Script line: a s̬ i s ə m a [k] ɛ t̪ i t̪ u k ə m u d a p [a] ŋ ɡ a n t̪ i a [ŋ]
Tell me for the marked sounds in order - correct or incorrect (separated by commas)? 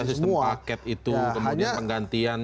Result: correct, incorrect, incorrect